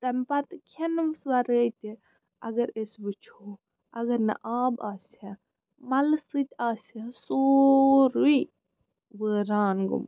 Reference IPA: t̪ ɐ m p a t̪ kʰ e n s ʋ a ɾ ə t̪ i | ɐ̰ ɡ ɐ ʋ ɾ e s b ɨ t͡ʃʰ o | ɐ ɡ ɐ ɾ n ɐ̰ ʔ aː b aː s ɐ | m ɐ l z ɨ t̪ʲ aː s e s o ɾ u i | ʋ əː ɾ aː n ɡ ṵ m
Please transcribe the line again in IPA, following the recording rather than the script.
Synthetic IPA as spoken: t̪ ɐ m p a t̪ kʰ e n s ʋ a ɾ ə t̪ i | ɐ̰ ɡ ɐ ɾ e s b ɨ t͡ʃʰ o | ɐ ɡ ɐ ɾ n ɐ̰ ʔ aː b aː s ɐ | m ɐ l s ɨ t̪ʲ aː s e s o ɾ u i | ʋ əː ɾ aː n ɡ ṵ m